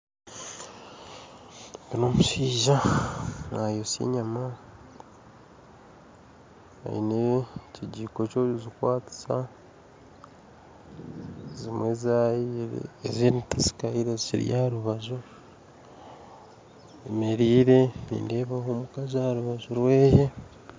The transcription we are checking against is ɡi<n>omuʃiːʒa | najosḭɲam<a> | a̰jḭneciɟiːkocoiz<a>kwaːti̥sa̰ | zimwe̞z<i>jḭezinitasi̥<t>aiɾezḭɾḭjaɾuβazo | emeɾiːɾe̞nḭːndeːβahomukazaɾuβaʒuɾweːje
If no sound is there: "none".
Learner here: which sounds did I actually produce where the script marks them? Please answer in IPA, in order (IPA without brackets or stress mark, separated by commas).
n, a, i, a, k